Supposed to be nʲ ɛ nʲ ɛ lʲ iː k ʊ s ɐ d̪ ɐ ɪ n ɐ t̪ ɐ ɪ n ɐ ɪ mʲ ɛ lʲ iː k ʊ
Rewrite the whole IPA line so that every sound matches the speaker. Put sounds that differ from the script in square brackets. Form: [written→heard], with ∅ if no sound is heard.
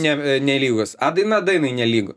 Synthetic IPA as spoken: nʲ ɛ nʲ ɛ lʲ iː [k→ɡ] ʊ s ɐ d̪ ɐ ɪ n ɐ [t̪→d̪] ɐ ɪ n ɐ ɪ [mʲ→nʲ] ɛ lʲ iː [k→ɡ] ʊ